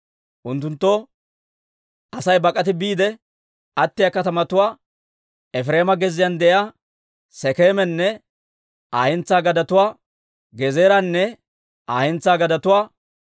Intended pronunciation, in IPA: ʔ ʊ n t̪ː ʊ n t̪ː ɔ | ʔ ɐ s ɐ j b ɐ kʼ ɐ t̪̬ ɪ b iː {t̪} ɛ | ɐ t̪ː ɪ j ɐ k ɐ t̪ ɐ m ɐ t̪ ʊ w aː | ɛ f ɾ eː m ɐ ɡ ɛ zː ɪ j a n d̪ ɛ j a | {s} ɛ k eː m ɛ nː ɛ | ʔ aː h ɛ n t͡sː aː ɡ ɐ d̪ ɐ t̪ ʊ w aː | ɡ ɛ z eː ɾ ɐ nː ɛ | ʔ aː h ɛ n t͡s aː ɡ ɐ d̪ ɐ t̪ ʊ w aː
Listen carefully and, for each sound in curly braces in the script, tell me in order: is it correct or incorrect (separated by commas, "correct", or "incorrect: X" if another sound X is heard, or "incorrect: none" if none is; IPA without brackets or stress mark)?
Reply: incorrect: d̪, correct